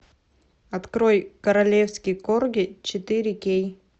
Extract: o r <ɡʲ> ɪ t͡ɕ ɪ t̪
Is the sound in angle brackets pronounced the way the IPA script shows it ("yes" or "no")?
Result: yes